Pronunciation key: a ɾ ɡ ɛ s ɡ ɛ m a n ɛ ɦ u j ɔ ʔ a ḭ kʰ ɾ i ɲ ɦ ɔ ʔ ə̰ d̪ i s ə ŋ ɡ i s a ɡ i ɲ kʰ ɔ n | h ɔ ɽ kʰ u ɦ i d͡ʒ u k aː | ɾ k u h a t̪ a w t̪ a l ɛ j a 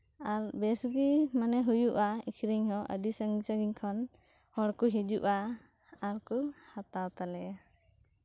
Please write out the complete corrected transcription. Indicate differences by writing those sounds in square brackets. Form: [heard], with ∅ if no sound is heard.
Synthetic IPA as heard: a ɾ [b] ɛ s ɡ [i] m a n ɛ ɦ u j [u] ʔ a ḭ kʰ ɾ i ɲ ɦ ɔ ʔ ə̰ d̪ i s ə ŋ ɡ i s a ɡ i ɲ kʰ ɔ n | h ɔ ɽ [k] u ɦ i d͡ʒ u [ʔ] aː | ɾ k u h a t̪ a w t̪ a l ɛ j a